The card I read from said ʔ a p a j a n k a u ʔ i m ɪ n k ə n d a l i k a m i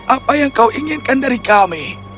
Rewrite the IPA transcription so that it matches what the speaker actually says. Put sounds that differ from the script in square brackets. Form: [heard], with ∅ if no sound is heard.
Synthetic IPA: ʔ a p a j a [ŋ] k a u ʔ i [ŋ] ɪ n k [a] n d a [ɾ] i k a m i